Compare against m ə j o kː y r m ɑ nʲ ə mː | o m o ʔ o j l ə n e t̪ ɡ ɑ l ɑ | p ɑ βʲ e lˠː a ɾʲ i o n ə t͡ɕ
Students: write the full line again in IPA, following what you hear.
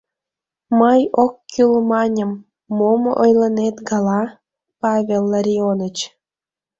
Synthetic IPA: m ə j o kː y l m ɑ nʲ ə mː | o m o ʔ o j l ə n e t̪ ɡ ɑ l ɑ | p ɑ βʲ e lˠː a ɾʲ i o n ə t͡ɕ